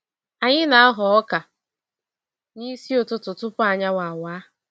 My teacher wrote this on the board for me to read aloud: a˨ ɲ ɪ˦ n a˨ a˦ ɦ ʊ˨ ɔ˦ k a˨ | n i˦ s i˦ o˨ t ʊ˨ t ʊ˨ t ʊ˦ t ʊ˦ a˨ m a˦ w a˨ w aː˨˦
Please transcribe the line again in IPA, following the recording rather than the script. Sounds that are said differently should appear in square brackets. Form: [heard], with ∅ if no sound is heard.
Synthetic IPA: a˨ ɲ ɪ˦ n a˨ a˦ ɦ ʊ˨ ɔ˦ k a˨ | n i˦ s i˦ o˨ t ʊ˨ t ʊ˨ t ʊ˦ [p] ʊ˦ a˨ [ɲ] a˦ w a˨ w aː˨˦